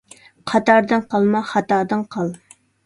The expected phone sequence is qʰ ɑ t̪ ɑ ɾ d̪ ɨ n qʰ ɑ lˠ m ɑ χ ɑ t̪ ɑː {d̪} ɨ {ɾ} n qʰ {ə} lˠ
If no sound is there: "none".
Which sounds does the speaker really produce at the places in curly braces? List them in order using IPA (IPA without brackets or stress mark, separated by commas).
d̪, none, ɑ